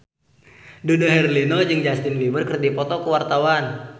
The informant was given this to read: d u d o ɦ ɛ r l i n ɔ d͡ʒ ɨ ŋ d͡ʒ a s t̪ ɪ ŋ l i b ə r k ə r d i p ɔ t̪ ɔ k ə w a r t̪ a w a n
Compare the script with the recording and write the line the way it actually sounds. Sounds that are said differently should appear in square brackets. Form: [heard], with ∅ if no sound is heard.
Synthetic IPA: d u d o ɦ ɛ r l i n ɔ d͡ʒ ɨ ŋ d͡ʒ a s t̪ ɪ [n] l i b ə r k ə r d i p ɔ t̪ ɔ k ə w a r t̪ a w a n